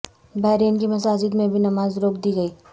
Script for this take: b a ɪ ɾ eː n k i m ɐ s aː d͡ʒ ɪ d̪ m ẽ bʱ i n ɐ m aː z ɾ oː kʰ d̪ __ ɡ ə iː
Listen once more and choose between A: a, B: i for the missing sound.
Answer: B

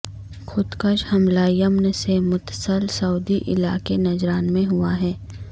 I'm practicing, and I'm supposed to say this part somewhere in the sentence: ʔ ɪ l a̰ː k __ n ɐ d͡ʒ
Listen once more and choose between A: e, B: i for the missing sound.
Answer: A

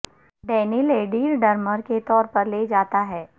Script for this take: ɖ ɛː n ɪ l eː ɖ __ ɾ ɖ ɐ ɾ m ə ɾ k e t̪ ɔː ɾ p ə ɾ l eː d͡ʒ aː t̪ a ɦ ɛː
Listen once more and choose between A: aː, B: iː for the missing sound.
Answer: B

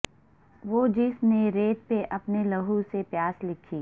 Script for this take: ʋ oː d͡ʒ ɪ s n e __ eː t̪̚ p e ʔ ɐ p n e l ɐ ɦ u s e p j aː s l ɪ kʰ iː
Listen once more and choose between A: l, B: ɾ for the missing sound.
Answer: B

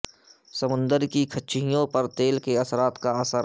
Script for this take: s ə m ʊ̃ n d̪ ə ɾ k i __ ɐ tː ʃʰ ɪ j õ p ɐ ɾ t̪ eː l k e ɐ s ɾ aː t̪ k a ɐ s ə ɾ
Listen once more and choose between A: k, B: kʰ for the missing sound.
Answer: B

